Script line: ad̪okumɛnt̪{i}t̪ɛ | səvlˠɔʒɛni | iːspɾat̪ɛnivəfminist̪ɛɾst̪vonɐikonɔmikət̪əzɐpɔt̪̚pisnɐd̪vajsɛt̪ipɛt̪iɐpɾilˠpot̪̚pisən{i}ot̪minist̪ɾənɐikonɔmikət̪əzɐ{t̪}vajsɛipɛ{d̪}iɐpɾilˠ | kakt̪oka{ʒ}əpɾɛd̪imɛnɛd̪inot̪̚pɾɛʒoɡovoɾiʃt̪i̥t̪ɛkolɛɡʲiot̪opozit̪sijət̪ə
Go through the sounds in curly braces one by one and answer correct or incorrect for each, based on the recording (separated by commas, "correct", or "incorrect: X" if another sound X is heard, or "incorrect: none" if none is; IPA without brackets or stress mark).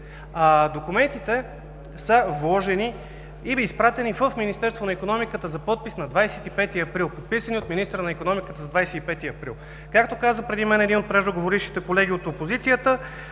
correct, correct, incorrect: d̪, incorrect: t̪, incorrect: z